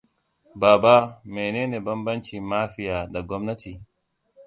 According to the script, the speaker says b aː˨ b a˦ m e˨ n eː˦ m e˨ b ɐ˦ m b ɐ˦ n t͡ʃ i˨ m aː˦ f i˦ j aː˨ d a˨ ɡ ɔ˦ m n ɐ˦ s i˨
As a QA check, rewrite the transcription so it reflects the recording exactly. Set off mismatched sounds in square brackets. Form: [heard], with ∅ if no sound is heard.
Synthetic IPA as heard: b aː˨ b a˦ m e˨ n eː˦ [n] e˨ b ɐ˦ m b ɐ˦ n t͡ʃ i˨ m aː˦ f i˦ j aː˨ d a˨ ɡ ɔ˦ m n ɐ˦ [t] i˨